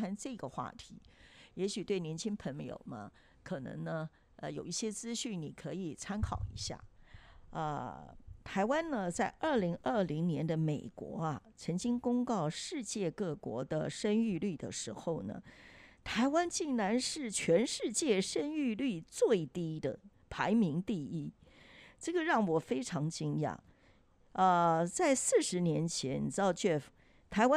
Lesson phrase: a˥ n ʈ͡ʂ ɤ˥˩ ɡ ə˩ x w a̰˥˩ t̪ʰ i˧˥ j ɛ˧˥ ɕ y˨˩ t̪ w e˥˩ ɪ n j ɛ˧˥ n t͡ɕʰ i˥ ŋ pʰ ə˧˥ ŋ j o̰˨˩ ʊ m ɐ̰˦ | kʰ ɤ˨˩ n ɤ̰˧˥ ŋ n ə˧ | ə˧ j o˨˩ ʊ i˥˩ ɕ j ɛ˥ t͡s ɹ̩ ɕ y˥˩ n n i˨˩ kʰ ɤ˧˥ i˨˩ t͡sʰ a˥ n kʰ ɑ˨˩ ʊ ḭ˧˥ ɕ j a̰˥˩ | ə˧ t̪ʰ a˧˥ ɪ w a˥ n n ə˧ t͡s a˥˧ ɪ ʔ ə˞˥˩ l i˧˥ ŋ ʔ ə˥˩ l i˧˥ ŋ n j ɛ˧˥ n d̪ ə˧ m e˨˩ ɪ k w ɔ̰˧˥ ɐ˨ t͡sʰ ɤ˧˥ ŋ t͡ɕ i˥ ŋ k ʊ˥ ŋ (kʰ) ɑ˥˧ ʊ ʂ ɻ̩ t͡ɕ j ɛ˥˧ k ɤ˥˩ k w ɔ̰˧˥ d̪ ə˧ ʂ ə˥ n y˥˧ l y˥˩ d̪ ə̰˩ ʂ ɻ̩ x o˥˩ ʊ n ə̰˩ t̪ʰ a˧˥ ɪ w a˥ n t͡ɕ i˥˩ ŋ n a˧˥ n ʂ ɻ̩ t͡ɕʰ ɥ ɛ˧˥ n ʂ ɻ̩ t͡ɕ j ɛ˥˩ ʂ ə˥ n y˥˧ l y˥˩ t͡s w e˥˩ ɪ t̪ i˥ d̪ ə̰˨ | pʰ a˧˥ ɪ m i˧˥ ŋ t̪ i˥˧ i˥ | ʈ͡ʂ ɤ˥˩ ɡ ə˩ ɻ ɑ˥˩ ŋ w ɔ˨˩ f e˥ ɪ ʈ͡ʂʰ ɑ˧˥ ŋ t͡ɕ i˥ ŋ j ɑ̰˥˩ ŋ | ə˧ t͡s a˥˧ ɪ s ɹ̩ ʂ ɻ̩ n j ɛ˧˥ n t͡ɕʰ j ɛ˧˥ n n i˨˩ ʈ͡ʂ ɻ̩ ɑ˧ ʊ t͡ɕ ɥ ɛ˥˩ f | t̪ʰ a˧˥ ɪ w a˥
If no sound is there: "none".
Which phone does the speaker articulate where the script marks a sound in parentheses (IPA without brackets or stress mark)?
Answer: k